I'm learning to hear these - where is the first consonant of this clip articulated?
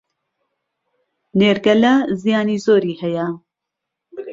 tongue tip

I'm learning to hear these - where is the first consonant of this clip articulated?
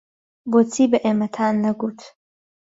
lips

